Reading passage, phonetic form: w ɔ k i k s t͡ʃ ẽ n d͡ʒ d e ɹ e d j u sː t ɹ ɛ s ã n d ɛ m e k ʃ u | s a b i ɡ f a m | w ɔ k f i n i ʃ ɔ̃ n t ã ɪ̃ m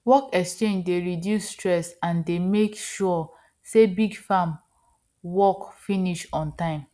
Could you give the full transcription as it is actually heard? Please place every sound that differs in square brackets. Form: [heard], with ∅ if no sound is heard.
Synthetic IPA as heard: w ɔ k [ɛ] k s t͡ʃ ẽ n d͡ʒ d e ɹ [i] d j u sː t ɹ ɛ s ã n d [e] m e k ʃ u | s [e] b i ɡ f a m | w ɔ k f i n i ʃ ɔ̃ n t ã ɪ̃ m